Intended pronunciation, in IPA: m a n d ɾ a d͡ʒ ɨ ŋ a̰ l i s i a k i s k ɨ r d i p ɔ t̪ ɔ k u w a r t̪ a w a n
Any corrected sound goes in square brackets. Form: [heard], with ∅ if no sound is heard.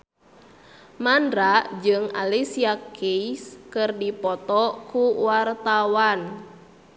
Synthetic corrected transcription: m a n d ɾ a d͡ʒ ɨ ŋ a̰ l i s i a k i s k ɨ r d i p ɔ t̪ ɔ k u w a r t̪ a w a n